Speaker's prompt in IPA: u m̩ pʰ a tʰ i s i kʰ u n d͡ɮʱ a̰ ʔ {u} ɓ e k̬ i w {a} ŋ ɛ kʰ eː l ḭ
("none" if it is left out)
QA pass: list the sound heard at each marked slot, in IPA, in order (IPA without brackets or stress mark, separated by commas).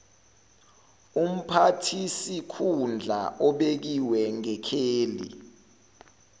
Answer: ɔ, ɛ